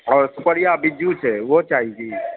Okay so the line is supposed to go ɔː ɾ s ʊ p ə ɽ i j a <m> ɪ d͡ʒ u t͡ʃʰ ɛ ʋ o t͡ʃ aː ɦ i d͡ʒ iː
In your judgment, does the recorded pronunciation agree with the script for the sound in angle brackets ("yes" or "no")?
no